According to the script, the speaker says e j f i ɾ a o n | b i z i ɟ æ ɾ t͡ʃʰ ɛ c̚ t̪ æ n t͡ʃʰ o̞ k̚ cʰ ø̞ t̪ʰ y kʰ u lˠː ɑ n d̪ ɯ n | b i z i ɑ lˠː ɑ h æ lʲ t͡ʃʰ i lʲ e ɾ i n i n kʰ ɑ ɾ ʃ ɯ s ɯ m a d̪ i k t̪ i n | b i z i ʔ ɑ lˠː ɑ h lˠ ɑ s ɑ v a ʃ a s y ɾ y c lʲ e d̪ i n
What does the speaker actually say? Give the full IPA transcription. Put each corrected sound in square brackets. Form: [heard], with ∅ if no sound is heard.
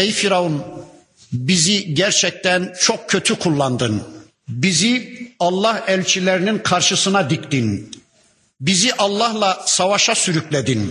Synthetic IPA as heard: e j f i ɾ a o n | b i z i ɟ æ ɾ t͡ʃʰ ɛ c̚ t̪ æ n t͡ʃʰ o̞ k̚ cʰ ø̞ t̪ʰ y kʰ u lˠː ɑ n d̪ ɯ n | b i z i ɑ lˠː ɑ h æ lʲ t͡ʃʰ i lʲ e ɾ i n i n kʰ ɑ ɾ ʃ ɯ s ɯ [n] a d̪ i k t̪ i n | b i z i ʔ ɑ lˠː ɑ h lˠ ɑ s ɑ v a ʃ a s y ɾ y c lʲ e d̪ i n